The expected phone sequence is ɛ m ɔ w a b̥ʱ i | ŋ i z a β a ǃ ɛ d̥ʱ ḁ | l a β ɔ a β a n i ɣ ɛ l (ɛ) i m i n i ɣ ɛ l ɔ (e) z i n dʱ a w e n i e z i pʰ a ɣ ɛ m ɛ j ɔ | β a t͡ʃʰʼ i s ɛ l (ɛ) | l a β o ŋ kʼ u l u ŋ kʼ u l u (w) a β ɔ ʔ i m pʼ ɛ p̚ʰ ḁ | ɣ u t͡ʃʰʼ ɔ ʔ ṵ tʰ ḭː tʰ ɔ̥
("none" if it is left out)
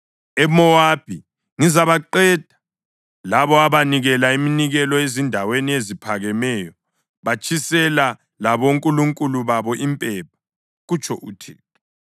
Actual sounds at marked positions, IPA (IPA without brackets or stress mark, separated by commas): a, e, a, β